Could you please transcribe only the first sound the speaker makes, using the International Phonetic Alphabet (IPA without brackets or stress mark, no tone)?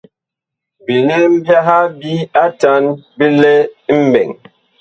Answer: b